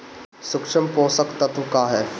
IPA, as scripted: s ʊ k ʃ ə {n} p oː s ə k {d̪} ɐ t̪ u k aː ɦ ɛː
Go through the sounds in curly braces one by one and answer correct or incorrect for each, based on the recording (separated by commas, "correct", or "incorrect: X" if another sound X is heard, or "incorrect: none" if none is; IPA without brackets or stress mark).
incorrect: m, incorrect: t̪